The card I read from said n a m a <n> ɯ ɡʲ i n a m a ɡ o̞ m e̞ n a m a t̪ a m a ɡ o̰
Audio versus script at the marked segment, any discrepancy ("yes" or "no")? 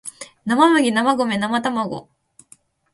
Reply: yes